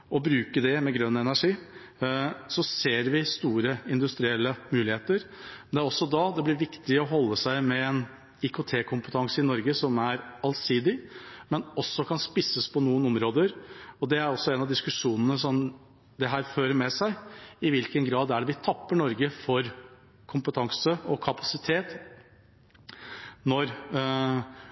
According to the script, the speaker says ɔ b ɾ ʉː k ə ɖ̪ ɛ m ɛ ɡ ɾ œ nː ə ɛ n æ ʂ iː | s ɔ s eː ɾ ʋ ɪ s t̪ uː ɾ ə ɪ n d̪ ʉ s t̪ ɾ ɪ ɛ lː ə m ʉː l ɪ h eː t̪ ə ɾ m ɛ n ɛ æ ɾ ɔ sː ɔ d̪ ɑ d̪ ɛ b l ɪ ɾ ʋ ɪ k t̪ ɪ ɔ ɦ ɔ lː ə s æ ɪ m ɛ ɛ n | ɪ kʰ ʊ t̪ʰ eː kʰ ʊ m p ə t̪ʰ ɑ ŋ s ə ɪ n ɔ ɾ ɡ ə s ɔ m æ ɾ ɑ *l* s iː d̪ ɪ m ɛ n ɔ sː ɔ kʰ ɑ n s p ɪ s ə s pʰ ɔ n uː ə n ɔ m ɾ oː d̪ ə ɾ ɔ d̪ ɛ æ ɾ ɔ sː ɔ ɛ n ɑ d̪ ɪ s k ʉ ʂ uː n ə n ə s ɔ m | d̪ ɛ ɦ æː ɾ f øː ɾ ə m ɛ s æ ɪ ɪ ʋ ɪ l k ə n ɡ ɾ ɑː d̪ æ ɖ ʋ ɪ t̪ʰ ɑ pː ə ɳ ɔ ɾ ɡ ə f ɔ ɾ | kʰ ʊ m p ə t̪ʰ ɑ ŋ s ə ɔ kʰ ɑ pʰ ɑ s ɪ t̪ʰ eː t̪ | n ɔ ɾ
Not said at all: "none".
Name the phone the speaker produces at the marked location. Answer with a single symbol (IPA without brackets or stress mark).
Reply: l